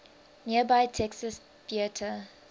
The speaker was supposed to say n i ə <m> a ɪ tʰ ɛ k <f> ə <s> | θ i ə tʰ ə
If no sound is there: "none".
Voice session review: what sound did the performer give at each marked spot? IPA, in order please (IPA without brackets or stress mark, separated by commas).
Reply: b, s, s